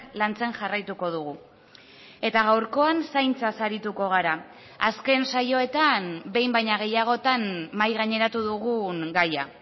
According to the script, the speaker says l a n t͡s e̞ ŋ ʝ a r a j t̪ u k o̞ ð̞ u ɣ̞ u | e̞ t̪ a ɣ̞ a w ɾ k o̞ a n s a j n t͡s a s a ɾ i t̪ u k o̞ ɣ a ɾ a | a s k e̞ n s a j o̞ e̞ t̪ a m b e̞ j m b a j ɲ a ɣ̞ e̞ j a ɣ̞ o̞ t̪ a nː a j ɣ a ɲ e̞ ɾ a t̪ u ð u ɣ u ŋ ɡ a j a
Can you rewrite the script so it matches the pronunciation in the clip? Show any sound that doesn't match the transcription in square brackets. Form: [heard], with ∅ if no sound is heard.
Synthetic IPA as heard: l a n t͡s e̞ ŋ ʝ a r a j t̪ u k o̞ ð̞ u ɣ̞ u | e̞ t̪ a ɣ̞ a w ɾ k o̞ a n s a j n t͡s a s a ɾ i t̪ u k o̞ ɣ a ɾ a | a s k e̞ n s a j o̞ e̞ t̪ a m b e̞ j m b a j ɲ a ɣ̞ e̞ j a ɣ̞ o̞ t̪ a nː a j ɣ a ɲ e̞ ɾ a t̪ u ð u ɣ u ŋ ɡ a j a